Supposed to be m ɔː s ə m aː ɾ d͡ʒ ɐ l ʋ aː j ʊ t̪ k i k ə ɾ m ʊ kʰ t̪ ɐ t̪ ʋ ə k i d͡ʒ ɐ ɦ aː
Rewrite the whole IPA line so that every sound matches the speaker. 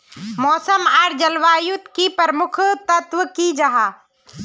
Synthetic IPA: m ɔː s ə m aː ɾ d͡ʒ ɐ l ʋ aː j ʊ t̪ k i p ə ɾ m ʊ kʰ t̪ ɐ t̪ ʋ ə k i d͡ʒ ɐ ɦ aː